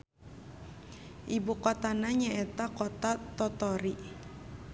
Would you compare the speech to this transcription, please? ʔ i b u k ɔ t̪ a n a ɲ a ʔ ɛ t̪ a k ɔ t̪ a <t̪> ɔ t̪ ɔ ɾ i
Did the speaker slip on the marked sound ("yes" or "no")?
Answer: no